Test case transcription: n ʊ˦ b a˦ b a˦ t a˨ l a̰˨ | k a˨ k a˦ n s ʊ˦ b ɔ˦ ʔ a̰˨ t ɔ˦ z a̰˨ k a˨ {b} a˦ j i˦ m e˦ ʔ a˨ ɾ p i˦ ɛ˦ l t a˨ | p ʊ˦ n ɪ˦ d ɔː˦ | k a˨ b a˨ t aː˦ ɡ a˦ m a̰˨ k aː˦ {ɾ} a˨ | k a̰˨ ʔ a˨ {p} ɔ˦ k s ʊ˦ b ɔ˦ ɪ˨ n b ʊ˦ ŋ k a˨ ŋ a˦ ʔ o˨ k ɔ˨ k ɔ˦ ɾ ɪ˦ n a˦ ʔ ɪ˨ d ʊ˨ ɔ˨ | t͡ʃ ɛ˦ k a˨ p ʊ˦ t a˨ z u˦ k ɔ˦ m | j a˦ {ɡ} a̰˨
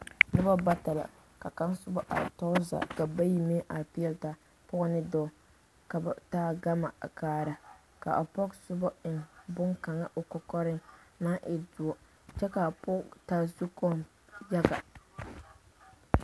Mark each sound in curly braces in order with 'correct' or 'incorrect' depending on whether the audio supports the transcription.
correct, correct, correct, correct

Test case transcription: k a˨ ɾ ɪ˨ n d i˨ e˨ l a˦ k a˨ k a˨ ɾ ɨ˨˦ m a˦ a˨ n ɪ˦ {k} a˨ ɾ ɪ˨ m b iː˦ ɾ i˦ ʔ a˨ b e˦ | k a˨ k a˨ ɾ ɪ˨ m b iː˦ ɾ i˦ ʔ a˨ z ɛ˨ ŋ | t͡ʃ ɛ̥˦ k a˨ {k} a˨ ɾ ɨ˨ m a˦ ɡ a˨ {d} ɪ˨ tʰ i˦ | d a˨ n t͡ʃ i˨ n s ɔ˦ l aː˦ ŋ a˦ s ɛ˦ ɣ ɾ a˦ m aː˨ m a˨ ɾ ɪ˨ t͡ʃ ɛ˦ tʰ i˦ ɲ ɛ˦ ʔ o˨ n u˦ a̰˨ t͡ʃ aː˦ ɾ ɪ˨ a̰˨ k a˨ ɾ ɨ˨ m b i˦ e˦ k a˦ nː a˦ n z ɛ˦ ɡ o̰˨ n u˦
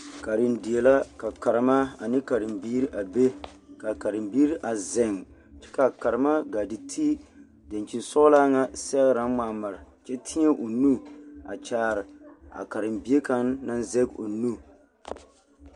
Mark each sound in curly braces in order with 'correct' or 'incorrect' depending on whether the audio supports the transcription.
correct, correct, correct

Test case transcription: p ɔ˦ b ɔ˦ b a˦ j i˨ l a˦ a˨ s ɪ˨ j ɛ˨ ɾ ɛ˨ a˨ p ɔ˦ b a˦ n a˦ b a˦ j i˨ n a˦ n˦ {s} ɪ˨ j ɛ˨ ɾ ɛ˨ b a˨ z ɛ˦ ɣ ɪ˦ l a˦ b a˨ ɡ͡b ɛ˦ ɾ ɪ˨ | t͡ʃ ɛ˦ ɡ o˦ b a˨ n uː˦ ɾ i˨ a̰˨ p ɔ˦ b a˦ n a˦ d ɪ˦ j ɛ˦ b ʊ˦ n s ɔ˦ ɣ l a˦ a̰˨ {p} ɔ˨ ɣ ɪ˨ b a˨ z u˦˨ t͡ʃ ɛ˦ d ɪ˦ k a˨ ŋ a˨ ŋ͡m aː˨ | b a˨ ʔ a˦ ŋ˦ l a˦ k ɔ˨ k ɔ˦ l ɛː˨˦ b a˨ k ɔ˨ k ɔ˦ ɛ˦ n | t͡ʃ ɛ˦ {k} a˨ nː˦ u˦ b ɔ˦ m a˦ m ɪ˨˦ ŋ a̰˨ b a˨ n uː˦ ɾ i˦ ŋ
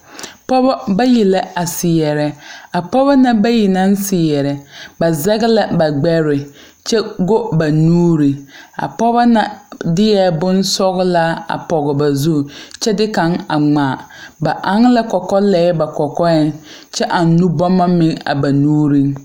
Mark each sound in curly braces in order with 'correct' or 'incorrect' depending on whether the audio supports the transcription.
correct, correct, incorrect

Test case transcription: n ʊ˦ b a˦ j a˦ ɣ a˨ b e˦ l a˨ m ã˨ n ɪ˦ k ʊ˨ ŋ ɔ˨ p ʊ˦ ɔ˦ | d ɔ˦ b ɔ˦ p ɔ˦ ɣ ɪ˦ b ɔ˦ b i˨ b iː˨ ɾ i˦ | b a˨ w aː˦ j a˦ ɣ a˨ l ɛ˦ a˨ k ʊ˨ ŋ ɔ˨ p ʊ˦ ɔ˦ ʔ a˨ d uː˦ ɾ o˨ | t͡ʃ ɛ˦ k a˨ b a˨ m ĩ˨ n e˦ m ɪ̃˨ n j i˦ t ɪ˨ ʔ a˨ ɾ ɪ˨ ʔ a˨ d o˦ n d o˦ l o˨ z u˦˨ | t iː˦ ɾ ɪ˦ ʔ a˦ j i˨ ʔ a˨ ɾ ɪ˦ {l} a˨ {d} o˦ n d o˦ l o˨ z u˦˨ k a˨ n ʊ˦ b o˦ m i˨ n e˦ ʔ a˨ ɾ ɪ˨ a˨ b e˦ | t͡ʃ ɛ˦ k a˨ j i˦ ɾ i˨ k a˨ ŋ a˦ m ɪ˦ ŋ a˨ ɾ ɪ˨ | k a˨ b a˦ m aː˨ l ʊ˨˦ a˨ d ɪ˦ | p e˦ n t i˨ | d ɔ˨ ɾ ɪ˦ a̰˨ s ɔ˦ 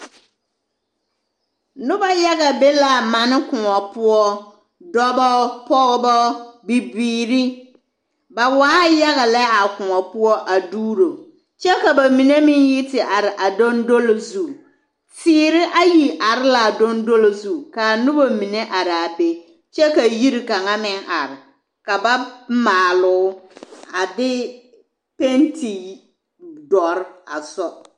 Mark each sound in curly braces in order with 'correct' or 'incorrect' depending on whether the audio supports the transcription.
correct, correct

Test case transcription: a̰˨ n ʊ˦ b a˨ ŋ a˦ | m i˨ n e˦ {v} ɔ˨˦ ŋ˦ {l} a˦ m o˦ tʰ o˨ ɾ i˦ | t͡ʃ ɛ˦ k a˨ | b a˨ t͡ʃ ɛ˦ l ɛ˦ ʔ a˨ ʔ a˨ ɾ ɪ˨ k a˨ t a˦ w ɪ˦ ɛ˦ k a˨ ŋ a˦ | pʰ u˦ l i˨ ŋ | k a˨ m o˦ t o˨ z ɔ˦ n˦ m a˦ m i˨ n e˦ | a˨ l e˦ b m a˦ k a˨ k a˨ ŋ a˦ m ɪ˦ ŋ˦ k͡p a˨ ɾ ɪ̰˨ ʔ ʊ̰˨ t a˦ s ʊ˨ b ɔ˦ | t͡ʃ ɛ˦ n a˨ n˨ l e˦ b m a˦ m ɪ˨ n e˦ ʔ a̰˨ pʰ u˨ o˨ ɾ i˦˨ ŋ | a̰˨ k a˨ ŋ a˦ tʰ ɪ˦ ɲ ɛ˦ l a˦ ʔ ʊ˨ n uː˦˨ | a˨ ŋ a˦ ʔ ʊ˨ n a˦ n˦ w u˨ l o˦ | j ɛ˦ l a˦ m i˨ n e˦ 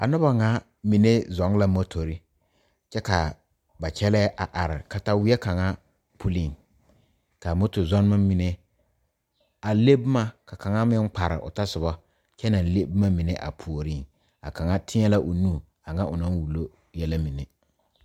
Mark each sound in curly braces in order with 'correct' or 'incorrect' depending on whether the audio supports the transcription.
incorrect, correct

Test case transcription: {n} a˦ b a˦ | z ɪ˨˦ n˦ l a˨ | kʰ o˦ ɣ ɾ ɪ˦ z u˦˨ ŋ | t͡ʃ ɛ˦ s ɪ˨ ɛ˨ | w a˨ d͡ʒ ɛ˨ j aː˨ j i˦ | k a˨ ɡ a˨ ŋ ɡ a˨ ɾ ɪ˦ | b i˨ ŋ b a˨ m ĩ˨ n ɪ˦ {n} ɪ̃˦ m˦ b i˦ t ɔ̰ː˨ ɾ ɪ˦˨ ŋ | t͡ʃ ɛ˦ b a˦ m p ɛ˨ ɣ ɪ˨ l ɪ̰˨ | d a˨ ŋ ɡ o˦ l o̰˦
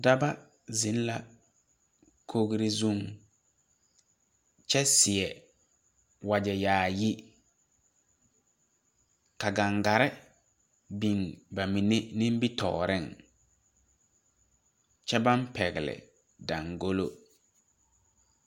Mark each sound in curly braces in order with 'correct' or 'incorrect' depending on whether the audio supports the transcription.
incorrect, correct

